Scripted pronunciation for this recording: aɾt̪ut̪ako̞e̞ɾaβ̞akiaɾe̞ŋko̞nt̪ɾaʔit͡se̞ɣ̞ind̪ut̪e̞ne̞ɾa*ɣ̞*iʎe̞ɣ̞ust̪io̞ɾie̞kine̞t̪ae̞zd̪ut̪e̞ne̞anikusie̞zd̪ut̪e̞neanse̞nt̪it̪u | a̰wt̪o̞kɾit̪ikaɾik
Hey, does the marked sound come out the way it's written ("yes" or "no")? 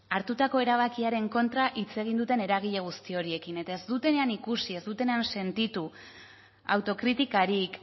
yes